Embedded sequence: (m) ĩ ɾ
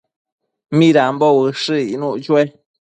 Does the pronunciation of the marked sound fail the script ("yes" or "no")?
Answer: no